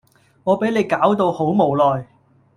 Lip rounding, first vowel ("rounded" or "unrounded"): rounded